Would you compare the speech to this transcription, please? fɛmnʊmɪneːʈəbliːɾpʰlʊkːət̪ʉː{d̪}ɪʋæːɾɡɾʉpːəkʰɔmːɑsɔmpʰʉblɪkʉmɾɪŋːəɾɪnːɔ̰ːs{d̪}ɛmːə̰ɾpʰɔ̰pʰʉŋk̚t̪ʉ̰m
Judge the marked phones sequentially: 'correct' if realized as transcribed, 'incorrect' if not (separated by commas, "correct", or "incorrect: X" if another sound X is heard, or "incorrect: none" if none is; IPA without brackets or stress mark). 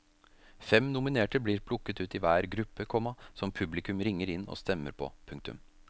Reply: incorrect: t̪, incorrect: t̪